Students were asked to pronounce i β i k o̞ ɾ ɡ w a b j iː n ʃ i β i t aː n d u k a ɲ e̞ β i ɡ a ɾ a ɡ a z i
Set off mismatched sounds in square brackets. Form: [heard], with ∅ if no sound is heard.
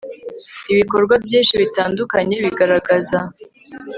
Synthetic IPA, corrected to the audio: i β i k o̞ ɾ ɡ w a b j iː n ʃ i β i t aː n d u k a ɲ e̞ β i ɡ a ɾ a ɡ a z [a]